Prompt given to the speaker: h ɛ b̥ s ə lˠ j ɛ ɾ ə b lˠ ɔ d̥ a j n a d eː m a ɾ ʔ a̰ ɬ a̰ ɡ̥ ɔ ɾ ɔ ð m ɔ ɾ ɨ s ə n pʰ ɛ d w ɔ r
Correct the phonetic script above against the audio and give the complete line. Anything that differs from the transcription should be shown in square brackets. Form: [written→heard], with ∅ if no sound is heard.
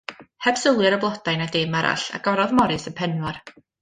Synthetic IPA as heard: h ɛ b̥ s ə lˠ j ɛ ɾ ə b lˠ ɔ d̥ a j n a d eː m a ɾ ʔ a̰ ɬ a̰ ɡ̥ ɔ ɾ ɔ ð m ɔ ɾ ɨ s ə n pʰ ɛ [d→n] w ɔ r